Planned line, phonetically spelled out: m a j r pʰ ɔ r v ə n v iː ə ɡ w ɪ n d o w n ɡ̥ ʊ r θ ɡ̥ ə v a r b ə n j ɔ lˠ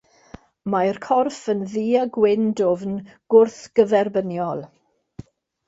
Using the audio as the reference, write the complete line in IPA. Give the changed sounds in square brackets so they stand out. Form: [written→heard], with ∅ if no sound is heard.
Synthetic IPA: m a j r [pʰ→kʰ] ɔ r [v→f] ə n [v→ð] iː [ə→a] ɡ w ɪ n d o [w→v] n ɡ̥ ʊ r θ ɡ̥ ə v [a→ɛ] r b ə n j ɔ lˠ